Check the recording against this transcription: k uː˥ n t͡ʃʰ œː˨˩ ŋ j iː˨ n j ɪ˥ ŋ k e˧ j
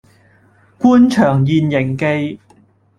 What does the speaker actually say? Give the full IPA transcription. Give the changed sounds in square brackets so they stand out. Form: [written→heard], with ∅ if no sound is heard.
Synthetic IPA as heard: k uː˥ n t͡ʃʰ œː˨˩ ŋ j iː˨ n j [ɪ˥→ɪ˨˩] ŋ k e˧ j